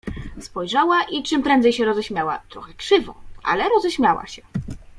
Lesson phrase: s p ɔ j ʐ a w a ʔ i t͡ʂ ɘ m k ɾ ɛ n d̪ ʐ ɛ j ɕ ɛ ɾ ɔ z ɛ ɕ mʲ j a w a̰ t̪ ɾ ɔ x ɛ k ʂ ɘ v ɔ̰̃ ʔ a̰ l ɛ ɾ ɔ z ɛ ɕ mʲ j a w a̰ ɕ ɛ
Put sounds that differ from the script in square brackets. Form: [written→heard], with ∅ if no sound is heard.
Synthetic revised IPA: s p ɔ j ʐ a w a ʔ i t͡ʂ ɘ m [k→p] ɾ ɛ n d̪ [ʐ→z] ɛ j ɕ ɛ ɾ ɔ z ɛ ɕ mʲ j a w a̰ t̪ ɾ ɔ x ɛ k ʂ ɘ v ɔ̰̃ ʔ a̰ l ɛ ɾ ɔ z ɛ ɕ mʲ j a w a̰ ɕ ɛ